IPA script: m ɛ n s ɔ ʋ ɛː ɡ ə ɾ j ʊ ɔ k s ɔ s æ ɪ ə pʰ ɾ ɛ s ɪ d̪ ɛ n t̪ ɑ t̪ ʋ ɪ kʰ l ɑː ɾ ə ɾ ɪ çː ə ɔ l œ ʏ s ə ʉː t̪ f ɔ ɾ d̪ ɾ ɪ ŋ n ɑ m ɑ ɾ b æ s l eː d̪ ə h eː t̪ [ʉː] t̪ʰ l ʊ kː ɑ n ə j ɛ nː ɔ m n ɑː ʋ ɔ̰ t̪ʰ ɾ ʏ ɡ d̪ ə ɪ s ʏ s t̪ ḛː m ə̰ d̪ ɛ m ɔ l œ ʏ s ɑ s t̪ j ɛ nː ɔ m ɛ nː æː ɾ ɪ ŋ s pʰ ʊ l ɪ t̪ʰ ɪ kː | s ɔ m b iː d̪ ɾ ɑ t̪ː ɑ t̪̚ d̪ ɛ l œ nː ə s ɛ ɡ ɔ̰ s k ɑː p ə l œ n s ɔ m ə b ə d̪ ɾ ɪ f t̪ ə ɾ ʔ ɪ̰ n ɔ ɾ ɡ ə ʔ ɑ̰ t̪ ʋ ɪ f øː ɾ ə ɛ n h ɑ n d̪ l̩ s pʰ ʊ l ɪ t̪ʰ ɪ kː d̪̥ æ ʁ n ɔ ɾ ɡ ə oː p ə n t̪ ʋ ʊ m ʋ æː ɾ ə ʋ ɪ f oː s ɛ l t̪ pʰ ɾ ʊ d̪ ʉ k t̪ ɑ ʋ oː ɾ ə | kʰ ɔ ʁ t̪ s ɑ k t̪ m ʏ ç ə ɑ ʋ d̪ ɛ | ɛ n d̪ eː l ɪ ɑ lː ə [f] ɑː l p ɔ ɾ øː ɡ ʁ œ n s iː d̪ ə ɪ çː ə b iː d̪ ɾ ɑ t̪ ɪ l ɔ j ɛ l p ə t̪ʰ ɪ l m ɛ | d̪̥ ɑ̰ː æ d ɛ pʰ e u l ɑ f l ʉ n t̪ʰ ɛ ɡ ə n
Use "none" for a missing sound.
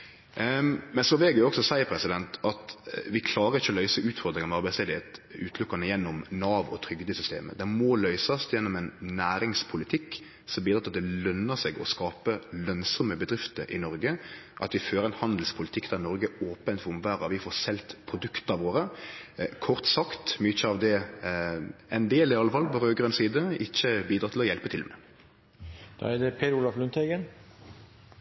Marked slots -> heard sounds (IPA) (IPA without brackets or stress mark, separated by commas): ʉː, f